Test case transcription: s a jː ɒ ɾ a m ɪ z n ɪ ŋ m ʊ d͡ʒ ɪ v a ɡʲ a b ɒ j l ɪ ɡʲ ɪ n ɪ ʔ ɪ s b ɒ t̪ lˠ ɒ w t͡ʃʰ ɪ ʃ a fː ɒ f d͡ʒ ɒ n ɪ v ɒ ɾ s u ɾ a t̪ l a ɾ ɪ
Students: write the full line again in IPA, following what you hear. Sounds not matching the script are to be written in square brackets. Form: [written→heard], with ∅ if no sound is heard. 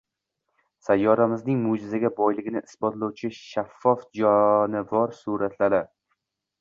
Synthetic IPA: s a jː ɒ ɾ a m ɪ z n ɪ ŋ m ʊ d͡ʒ ɪ [v→z] a ɡʲ a b ɒ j l ɪ ɡʲ ɪ n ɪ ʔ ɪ s b ɒ t̪ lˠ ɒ w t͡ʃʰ ɪ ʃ a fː ɒ f d͡ʒ ɒ n ɪ v ɒ ɾ s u ɾ a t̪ l a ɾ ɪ